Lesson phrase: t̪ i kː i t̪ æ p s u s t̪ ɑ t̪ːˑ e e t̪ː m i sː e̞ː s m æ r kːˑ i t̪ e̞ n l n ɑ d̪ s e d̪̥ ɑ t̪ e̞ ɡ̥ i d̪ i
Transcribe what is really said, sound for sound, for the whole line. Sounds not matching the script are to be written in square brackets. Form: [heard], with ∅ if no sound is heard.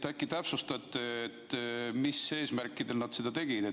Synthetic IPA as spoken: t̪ [æ] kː i t̪ æ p s u s t̪ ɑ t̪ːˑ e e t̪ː m i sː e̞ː s m æ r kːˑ i [d̪] e̞ [∅] l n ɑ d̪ s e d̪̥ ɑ t̪ e̞ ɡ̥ i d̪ [e]